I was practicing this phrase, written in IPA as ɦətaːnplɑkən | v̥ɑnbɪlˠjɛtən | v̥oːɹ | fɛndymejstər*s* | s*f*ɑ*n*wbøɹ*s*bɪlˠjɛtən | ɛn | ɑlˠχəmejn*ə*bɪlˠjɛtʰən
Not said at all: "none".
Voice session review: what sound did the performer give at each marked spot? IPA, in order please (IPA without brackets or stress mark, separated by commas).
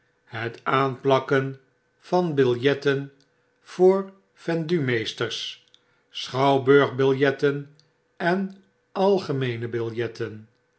s, χ, none, χ, ə